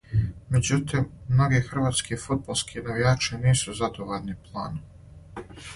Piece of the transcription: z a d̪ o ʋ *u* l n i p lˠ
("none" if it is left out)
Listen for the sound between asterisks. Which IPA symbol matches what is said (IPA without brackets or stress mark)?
o